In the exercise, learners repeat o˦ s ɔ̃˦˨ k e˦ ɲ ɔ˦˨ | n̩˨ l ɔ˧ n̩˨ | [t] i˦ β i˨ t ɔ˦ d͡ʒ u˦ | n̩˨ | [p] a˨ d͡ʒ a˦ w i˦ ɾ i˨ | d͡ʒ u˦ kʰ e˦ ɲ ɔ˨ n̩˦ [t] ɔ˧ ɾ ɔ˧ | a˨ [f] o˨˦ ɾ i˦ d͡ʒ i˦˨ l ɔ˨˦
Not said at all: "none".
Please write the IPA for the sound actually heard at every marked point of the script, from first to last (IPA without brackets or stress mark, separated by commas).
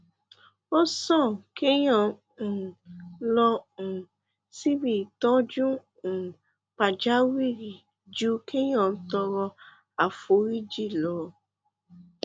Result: s, p, t, f